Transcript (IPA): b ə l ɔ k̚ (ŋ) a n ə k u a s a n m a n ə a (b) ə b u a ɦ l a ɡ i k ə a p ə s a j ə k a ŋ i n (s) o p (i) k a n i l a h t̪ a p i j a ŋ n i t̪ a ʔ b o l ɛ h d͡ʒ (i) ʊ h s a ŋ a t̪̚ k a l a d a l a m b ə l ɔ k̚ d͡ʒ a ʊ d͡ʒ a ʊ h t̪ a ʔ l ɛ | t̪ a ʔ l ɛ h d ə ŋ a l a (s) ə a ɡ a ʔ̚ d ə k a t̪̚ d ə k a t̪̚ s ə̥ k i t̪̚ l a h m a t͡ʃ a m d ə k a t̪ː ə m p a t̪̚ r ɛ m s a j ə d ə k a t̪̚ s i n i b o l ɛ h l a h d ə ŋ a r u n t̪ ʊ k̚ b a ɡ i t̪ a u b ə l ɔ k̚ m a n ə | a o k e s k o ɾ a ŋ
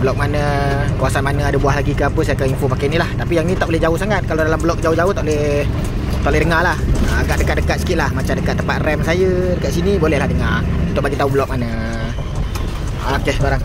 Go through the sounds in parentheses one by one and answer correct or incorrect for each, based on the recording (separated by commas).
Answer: incorrect, incorrect, incorrect, incorrect, incorrect, incorrect